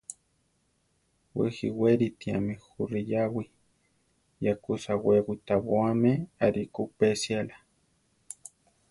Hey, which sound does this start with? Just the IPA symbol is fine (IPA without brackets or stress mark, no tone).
w